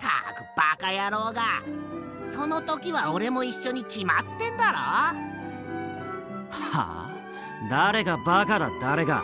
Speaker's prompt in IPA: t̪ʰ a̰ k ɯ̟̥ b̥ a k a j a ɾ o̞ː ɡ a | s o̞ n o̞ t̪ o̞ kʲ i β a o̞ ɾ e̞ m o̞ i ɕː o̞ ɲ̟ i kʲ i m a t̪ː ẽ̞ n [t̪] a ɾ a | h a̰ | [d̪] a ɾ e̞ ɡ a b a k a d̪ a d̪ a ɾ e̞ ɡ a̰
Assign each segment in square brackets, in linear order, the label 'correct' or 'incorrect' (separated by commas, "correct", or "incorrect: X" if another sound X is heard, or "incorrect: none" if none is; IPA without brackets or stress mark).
incorrect: d̪, correct